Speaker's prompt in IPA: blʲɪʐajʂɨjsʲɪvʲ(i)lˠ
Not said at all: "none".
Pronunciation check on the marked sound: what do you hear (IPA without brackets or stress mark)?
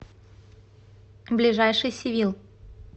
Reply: i